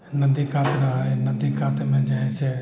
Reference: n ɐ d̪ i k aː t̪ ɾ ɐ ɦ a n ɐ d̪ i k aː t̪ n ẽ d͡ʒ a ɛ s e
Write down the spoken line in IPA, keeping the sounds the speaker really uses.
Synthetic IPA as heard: n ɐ d̪ i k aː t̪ ɾ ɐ ɦ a n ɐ d̪ i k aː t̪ m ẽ d͡ʒ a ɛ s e